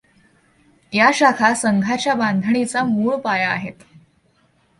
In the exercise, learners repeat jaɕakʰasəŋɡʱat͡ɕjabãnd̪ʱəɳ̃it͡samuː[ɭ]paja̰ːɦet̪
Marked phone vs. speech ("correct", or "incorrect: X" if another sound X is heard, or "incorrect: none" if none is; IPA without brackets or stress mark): correct